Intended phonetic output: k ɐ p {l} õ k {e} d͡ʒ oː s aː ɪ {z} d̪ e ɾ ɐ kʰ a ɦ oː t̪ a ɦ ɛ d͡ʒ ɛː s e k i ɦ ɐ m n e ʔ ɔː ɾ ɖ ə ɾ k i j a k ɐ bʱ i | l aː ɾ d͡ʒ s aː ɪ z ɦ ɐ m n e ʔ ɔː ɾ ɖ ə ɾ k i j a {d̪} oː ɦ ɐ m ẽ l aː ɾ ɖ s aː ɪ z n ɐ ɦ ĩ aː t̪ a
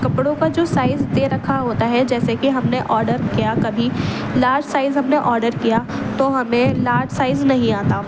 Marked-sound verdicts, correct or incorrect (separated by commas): incorrect, incorrect, correct, incorrect